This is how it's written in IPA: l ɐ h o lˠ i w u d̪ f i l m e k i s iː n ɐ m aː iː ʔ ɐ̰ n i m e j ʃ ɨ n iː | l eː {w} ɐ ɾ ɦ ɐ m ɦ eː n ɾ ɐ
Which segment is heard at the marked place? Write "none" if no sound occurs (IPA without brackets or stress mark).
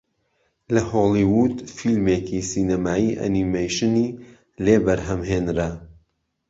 b